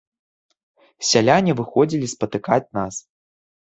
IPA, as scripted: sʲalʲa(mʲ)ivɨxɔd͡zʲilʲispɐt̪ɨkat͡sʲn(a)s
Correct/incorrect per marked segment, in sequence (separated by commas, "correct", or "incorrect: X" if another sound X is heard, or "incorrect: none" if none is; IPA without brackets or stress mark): incorrect: nʲ, correct